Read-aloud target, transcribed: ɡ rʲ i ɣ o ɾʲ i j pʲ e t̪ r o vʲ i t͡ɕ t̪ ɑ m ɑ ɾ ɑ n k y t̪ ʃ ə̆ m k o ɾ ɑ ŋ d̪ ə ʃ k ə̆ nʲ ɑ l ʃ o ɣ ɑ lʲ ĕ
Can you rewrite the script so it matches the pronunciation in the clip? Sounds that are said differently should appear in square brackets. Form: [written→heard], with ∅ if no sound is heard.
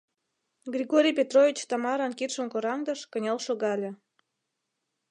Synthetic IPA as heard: ɡ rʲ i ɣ o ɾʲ i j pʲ e t̪ r o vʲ i t͡ɕ t̪ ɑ m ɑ ɾ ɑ n k [y→i] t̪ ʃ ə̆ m k o ɾ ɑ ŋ d̪ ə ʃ k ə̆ nʲ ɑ l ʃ o ɣ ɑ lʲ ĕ